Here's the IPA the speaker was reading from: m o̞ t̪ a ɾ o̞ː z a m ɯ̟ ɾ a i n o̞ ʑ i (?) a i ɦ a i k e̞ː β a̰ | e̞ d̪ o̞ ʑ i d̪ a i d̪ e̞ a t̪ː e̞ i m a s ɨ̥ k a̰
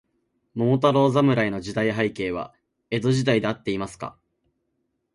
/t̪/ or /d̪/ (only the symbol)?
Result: d̪